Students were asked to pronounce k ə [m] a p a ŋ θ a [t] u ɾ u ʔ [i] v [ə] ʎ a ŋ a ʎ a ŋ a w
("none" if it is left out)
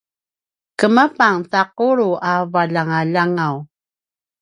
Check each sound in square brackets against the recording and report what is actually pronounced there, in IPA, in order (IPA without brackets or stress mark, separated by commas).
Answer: m, q, a, a